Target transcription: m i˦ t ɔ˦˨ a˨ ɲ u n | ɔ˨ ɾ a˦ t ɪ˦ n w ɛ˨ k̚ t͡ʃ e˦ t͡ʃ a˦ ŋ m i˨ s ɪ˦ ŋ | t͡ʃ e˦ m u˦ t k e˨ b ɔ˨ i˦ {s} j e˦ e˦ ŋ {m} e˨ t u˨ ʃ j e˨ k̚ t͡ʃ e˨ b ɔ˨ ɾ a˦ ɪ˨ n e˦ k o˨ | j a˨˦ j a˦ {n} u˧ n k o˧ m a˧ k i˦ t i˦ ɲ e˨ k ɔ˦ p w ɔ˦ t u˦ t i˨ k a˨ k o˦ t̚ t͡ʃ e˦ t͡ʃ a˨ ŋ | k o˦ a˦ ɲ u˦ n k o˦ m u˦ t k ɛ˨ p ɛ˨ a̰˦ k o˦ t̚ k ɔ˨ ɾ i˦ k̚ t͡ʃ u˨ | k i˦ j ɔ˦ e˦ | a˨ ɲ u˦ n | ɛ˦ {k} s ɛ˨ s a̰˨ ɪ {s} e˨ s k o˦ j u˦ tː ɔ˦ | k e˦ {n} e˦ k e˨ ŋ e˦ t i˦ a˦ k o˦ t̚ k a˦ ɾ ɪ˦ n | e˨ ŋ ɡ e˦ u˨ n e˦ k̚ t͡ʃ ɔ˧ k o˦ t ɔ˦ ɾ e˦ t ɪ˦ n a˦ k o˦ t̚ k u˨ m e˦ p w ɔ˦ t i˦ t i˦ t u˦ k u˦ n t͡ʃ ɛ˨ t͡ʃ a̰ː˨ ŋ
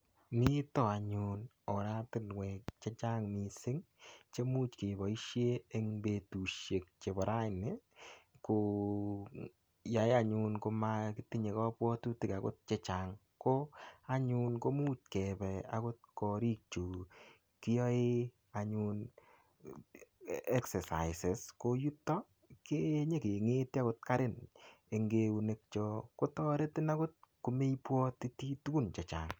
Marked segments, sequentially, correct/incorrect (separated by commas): incorrect, incorrect, incorrect, correct, correct, incorrect